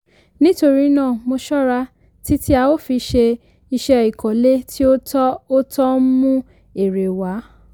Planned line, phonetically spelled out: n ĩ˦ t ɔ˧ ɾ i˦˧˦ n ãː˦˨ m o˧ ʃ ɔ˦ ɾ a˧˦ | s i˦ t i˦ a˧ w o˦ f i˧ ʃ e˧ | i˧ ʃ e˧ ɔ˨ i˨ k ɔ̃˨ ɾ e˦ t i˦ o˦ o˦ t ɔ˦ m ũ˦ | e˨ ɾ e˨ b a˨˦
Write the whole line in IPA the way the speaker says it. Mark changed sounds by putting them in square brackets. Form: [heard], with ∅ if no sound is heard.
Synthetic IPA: n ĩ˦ t [o˧] ɾ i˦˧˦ n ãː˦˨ m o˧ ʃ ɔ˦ ɾ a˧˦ | [t] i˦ t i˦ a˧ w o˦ f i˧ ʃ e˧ | i˧ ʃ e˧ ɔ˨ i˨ k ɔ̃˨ [l] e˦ t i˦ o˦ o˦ t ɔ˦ m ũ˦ | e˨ ɾ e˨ [w] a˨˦